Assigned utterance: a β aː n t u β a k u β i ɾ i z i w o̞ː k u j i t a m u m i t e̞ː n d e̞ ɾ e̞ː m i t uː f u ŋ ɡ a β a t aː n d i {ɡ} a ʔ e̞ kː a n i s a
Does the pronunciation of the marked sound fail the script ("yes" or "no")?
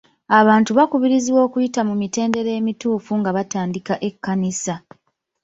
yes